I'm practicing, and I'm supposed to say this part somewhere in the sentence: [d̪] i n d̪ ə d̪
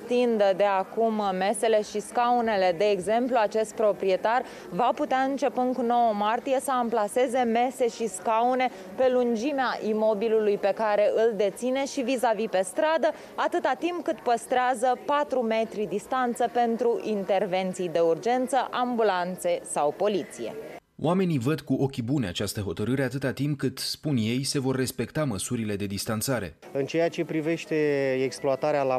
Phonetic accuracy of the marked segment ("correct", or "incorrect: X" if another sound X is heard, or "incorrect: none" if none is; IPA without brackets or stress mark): incorrect: t̪